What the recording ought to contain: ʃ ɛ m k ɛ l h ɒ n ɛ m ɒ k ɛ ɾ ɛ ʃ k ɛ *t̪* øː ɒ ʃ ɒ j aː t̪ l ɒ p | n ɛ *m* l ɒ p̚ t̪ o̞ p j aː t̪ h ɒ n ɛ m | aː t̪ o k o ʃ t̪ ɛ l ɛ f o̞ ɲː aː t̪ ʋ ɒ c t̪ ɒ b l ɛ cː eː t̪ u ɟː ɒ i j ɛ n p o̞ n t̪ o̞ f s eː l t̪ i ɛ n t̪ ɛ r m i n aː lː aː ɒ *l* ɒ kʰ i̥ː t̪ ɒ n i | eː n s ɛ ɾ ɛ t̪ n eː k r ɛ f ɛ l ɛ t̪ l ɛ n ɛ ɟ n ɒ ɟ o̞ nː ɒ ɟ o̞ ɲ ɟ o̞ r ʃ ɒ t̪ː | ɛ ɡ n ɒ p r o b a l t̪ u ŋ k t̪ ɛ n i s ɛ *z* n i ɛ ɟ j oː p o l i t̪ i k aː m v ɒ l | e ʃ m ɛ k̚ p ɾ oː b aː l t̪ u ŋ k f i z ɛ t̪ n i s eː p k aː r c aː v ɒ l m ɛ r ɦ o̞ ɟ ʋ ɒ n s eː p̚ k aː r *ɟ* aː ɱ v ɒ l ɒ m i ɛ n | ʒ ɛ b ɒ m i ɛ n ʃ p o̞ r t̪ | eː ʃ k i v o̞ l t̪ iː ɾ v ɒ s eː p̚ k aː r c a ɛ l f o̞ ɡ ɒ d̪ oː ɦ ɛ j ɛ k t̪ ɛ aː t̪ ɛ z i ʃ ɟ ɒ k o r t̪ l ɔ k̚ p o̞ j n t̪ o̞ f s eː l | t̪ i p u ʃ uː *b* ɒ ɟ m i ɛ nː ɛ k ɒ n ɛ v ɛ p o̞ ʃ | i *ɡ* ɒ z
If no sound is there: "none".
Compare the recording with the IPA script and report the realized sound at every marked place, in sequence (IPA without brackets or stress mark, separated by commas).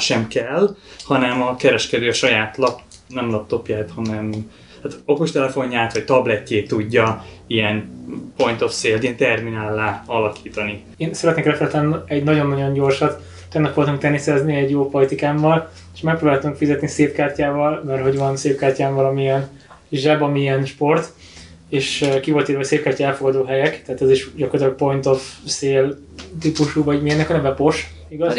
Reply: d̪, m, l, z, c, v, ɡ